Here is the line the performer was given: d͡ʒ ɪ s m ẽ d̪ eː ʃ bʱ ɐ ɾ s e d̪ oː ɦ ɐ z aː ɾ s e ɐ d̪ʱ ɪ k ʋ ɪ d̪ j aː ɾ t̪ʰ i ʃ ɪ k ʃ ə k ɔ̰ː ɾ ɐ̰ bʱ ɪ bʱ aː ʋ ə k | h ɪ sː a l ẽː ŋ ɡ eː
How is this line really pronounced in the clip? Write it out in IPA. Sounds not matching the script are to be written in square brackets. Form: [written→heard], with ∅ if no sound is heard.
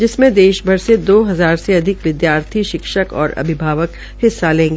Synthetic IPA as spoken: d͡ʒ ɪ s m ẽ d̪ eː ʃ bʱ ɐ ɾ s e d̪ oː ɦ ɐ z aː ɾ s e ɐ d̪ʱ ɪ k ʋ ɪ d̪ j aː ɾ t̪ʰ i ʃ ɪ k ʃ ə k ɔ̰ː ɾ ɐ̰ bʱ ɪ bʱ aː ʋ ə k | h ɪ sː a l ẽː ŋ ɡ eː

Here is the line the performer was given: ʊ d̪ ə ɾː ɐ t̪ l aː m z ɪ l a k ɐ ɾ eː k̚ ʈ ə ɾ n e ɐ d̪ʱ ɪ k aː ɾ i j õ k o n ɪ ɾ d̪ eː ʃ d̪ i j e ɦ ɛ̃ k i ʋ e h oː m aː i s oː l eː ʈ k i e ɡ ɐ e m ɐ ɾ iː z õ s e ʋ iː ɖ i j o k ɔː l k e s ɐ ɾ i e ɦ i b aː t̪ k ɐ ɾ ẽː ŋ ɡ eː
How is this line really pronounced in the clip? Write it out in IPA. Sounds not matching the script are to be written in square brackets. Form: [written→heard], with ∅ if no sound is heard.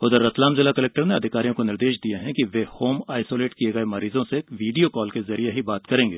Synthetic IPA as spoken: ʊ d̪ ə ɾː ɐ t̪ l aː m z ɪ l a k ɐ [ɾ→l] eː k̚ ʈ ə ɾ n e ɐ d̪ʱ ɪ k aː ɾ i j õ k o n ɪ ɾ d̪ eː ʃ d̪ i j e ɦ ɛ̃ k i ʋ e h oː m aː [i→ɪ] s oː l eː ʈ k i e ɡ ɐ e m ɐ ɾ iː z õ s e ʋ iː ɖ i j o k ɔː l k e [s→z] ɐ ɾ i e ɦ i b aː t̪ k ɐ ɾ ẽː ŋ ɡ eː

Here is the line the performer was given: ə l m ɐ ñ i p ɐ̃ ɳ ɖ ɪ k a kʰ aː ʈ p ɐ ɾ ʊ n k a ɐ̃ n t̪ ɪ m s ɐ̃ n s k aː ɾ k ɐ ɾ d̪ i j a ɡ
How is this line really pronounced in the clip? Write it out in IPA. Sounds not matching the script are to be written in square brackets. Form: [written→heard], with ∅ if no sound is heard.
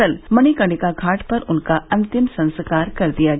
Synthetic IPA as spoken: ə l m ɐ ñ i [p→k] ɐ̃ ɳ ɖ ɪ k a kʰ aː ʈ p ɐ ɾ ʊ n k a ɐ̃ n t̪ ɪ m s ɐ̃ n s k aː ɾ k ɐ ɾ d̪ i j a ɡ

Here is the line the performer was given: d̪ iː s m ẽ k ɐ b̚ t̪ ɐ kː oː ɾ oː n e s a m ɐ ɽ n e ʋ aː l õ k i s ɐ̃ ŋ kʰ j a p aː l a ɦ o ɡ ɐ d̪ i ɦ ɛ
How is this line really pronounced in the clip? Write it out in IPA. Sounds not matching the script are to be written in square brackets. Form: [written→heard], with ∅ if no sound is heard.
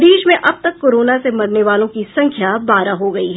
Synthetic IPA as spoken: d̪ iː [s→ʃ] m ẽ [k→ʔ] ɐ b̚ t̪ ɐ kː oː ɾ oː n [e→a] s [a→e] m ɐ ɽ n e ʋ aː l õ k i s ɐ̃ ŋ kʰ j a [p→b] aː [l→ɾ] a ɦ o ɡ ɐ [d̪→∅] i ɦ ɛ

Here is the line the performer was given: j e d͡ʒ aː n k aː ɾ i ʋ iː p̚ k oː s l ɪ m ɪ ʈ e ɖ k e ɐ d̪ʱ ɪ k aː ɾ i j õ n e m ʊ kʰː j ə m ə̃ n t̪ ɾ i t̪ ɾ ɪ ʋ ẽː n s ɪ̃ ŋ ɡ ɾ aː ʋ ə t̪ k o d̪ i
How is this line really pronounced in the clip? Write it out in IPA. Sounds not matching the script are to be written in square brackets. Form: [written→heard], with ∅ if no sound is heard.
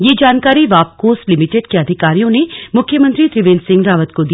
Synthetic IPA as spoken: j e d͡ʒ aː n k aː ɾ i ʋ [iː→aː] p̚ k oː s l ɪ m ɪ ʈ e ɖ k e ɐ d̪ʱ ɪ k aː ɾ i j õ n e m ʊ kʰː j ə m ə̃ n t̪ ɾ i t̪ ɾ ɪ ʋ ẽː n s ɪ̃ ŋ ɡ ɾ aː ʋ ə t̪ k o d̪ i

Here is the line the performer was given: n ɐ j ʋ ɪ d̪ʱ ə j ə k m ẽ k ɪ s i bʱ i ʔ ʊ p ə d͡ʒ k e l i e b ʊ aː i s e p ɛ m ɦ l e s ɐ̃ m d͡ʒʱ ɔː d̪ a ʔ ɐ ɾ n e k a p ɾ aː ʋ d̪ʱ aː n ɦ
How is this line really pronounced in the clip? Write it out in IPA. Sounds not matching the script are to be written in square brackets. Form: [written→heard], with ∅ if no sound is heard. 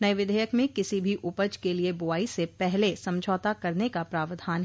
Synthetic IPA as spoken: n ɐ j ʋ ɪ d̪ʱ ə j ə k m ẽ k ɪ s i bʱ i ʔ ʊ p ə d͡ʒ k e l i e b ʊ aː i s e p ɛ [m→∅] ɦ l e s ɐ̃ m d͡ʒʱ ɔː [d̪→t̪] a [ʔ→k] ɐ ɾ n e k a p ɾ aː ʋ d̪ʱ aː n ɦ

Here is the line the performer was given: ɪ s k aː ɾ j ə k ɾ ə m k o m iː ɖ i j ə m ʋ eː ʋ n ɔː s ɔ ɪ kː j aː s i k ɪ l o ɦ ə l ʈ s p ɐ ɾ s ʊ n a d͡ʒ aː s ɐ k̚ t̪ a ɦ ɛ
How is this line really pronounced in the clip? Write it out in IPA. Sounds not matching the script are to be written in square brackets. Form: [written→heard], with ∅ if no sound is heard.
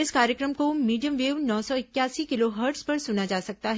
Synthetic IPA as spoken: ɪ s k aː ɾ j ə k ɾ ə m k o m iː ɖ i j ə m ʋ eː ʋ n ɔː s ɔ ɪ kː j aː s i k ɪ l o ɦ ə [l→ɾ] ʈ s p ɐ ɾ s ʊ n a d͡ʒ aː s ɐ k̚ t̪ a ɦ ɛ

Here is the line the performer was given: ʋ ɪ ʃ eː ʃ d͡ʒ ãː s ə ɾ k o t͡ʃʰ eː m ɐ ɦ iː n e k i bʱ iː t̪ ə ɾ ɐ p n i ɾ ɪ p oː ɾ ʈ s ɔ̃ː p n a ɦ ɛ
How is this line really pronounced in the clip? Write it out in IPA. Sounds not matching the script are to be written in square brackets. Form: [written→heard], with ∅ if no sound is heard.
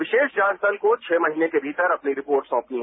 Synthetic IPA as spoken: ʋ ɪ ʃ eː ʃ d͡ʒ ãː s ə [ɾ→l] k o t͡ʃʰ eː m ɐ ɦ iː n e k [i→e] bʱ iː t̪ ə ɾ ɐ p n i ɾ ɪ p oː ɾ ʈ s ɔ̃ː p n [a→i] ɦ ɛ

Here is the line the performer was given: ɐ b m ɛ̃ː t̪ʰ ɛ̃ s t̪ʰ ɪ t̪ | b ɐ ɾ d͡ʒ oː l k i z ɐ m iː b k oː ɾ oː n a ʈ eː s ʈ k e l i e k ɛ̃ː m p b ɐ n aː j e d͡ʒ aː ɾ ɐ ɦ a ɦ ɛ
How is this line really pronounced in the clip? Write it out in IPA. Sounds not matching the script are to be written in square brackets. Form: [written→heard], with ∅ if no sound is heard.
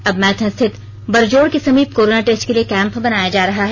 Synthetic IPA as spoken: ɐ b m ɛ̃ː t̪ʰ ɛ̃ s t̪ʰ ɪ t̪ | b ɐ ɾ d͡ʒ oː [l→ɽ] k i [z→s] ɐ m iː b k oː ɾ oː n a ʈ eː s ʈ k e l i e k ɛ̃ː m p b ɐ n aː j [e→a] d͡ʒ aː ɾ ɐ ɦ a ɦ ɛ

